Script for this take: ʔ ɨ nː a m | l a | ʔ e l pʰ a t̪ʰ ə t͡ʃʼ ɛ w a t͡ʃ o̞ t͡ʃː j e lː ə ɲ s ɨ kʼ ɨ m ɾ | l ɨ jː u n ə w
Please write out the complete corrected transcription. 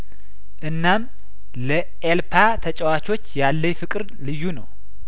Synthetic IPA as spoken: ʔ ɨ nː a m | l ə | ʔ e l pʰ a t̪ʰ ə t͡ʃʼ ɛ w a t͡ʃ o̞ t͡ʃː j a lː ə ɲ f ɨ kʼ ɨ ɾ | l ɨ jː u n ə w